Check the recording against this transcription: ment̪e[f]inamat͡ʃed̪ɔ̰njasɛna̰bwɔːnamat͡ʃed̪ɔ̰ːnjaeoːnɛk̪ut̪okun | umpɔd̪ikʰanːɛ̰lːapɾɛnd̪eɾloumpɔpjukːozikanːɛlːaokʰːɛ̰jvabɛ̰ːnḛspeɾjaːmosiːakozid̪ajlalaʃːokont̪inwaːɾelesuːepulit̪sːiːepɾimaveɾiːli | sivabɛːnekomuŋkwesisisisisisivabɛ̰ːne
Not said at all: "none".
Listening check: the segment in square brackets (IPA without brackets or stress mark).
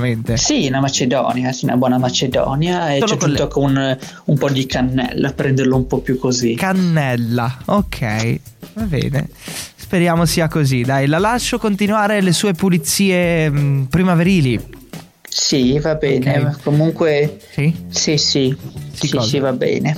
s